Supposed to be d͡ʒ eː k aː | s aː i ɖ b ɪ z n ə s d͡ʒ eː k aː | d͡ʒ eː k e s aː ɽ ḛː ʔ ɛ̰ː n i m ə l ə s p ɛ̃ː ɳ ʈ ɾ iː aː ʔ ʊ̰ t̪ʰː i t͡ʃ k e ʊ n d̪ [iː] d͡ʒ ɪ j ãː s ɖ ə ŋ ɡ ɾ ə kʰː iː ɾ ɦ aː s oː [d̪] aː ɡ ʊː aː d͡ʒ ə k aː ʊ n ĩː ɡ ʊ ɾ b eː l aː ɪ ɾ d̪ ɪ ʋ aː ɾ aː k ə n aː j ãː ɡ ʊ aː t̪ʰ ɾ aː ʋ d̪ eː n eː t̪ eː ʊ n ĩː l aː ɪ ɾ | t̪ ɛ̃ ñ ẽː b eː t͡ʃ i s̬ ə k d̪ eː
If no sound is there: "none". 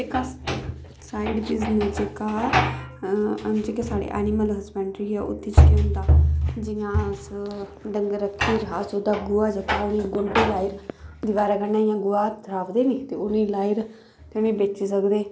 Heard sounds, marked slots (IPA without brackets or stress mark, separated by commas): aː, d̪